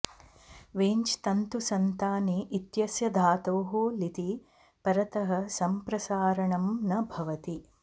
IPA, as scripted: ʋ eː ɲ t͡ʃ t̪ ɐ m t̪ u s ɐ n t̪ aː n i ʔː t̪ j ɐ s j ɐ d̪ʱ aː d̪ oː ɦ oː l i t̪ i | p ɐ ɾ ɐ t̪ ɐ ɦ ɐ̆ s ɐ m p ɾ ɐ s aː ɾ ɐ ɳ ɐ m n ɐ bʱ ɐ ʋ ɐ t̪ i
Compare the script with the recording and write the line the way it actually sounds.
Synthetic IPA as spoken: ʋ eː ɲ t͡ʃ t̪ ɐ n t̪ u s ɐ n t̪ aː n i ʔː t̪ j ɐ s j ɐ d̪ʱ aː t̪ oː ɦ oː l i t̪ i | p ɐ ɾ ɐ t̪ ɐ ɦ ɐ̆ s ɐ m p ɾ ɐ s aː ɾ ɐ ɳ ɐ m n ɐ bʱ ɐ ʋ ɐ t̪ i

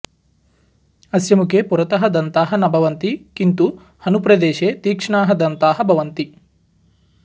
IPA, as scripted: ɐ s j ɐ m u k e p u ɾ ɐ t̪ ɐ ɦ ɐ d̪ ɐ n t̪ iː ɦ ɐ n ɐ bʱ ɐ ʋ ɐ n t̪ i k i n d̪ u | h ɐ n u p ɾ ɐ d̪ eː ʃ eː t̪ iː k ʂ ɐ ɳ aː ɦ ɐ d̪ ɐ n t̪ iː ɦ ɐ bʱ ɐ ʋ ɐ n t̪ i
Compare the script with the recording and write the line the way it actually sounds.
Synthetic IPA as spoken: ɐ s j ɐ m u k e p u ɾ ɐ t̪ ɐ ɦ ɐ d̪ ɐ n t̪ aː ɦ ɐ n ɐ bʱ ɐ ʋ ɐ n t̪ i k i n t̪ u | h ɐ n u p ɾ ɐ d̪ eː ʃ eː t̪ iː k ʂ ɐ ɳ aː ɦ ɐ d̪ ɐ n t̪ aː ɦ ɐ bʱ ɐ ʋ ɐ n t̪ i

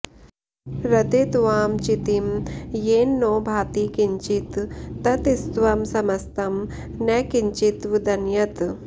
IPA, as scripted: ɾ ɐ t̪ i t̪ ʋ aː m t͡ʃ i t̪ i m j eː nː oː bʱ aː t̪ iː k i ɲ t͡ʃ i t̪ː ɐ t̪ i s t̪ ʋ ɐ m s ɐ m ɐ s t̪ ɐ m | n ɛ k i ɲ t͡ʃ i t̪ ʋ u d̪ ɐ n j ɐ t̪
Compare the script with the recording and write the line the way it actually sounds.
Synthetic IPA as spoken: ɾ ɐ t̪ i t̪ ʋ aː m t͡ʃ i t̪ i m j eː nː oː bʱ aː t̪ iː k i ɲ t͡ʃ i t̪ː ɐ t̪ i s t̪ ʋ ɐ m s ɐ m ɐ s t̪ ɐ m | n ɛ k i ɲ t͡ʃ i t̪ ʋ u d̪ ɐ n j ɐ t̪

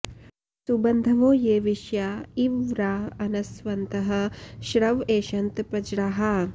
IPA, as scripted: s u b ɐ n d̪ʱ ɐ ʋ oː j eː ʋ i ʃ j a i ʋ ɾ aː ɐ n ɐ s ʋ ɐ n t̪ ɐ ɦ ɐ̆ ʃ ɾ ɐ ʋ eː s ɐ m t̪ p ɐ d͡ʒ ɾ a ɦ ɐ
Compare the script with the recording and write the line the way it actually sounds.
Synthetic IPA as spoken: s u b ɐ n d̪ʱ ɐ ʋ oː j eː ʋ i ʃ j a i ʋ ɾ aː ɐ n ɐ s ʋ ɐ n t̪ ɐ ɦ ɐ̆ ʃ ɾ ɐ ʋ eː ʃ ɐ n t̪ p ɐ d͡ʒ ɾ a ɦ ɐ

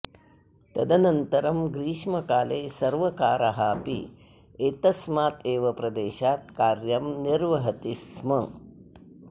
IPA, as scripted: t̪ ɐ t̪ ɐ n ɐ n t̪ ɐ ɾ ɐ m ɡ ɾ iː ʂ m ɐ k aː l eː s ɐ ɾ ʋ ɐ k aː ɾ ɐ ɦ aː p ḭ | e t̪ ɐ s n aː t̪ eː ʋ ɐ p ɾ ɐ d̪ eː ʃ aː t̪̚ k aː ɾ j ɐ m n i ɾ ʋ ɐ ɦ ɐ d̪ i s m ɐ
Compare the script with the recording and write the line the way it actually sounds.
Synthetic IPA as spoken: t̪ ɐ d̪ ɐ n ɐ n t̪ ɐ ɾ ɐ m ɡ ɾ iː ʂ m ɐ k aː l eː s ɐ ɾ ʋ ɐ k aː ɾ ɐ ɦ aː p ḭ | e t̪ ɐ s m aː t̪ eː ʋ ɐ p ɾ ɐ d̪ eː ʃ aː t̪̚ k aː ɾ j ɐ m n i ɾ ʋ ɐ ɦ ɐ t̪ i s m ɐ

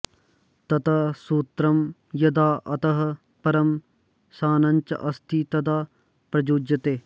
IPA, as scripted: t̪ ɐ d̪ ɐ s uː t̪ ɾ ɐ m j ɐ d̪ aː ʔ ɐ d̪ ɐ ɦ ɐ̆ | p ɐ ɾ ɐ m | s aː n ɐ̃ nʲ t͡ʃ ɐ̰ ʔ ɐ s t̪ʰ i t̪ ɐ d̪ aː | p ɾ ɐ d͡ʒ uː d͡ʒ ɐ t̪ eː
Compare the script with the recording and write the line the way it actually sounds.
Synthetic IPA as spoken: t̪ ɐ t̪ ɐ s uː t̪ ɾ ɐ m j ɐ d̪ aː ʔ ɐ t̪ ɐ ɦ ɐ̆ | p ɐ ɾ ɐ m | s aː n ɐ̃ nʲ t͡ʃ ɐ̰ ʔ ɐ s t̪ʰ i t̪ ɐ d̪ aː | p ɾ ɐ d͡ʒ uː d͡ʒ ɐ t̪ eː

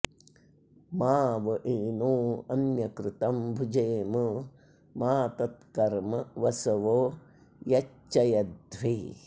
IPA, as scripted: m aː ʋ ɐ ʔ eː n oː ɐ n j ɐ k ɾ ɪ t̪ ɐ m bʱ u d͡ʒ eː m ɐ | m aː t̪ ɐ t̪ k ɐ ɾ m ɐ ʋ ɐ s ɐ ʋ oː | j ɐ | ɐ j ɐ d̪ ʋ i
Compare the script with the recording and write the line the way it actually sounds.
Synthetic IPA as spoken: m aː ʋ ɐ ʔ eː n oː ɐ n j ɐ k ɾ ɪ t̪ ɐ m bʱ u d͡ʒ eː m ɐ | m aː t̪ ɐ t̪ k ɐ ɾ m ɐ ʋ ɐ s ɐ ʋ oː | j ɐ | ɐ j ɐ d̪ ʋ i

